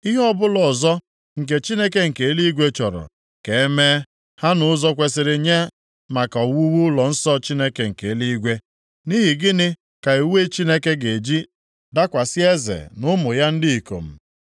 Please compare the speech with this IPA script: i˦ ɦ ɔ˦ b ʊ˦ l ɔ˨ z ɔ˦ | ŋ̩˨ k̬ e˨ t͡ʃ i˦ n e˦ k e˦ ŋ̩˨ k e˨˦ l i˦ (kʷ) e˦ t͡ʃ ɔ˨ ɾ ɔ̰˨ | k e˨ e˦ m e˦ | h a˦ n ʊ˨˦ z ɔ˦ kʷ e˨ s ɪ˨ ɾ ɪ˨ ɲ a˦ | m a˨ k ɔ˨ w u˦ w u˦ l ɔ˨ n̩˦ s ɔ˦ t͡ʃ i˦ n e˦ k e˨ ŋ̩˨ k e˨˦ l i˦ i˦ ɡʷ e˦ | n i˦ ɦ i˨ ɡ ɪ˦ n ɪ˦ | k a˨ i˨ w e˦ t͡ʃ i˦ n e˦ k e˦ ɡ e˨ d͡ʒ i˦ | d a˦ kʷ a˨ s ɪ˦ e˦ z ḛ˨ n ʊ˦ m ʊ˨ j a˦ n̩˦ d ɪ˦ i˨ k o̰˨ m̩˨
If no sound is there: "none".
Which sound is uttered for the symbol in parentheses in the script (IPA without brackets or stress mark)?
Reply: ɡʷ